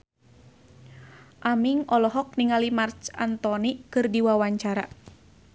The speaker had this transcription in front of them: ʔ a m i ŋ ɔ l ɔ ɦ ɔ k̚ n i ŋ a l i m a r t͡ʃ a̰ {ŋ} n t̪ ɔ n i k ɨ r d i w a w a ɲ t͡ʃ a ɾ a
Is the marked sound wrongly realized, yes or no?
yes